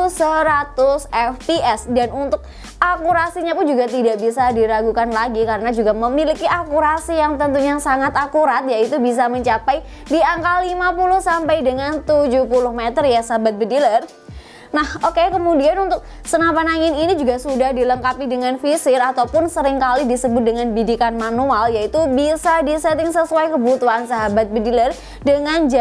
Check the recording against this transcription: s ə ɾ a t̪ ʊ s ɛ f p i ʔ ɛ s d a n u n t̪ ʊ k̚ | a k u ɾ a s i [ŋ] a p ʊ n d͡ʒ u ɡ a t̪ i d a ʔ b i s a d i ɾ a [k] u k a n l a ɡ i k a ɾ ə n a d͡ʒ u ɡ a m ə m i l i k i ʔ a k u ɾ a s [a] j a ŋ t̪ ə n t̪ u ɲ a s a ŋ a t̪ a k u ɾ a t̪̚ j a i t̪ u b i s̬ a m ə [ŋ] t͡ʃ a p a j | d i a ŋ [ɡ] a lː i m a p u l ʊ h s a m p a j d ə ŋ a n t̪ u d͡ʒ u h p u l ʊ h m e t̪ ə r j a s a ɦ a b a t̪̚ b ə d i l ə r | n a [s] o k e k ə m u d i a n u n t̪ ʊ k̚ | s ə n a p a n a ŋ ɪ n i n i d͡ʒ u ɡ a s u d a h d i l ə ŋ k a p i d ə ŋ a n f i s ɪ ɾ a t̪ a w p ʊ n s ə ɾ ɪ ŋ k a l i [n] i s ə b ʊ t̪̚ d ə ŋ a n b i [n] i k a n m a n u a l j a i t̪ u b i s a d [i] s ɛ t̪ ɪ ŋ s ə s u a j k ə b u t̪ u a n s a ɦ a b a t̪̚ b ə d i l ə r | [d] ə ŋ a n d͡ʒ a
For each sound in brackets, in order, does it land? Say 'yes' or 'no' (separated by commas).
no, no, no, no, no, no, no, no, yes, yes